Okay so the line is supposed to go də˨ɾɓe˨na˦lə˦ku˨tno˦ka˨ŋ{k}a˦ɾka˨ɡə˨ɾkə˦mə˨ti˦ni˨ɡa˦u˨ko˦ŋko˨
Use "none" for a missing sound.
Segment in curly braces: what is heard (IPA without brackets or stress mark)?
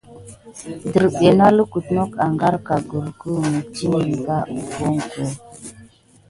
ɡ